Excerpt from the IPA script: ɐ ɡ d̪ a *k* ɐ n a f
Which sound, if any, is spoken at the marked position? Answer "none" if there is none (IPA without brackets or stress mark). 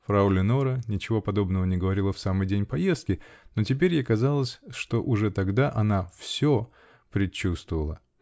ʔ